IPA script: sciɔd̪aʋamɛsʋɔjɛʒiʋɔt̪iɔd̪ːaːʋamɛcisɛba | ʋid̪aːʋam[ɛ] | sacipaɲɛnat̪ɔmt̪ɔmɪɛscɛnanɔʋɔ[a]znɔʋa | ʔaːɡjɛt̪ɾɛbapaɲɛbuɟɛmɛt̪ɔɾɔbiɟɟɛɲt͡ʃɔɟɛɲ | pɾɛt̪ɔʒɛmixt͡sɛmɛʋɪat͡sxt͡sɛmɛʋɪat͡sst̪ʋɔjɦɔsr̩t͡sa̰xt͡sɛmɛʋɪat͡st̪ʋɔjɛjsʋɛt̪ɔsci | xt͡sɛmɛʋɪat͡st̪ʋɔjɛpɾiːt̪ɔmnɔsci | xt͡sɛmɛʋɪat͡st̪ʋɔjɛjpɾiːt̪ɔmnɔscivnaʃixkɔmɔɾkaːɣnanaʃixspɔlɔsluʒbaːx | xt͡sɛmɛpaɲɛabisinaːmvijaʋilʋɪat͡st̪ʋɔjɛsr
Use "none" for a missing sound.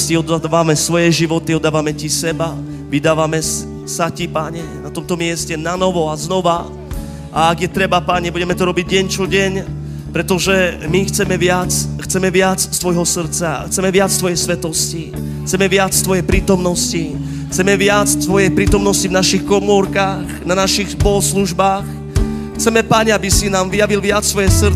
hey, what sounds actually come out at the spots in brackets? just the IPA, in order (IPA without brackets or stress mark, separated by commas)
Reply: ɛ, a